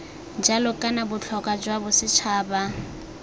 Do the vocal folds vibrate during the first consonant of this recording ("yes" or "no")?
yes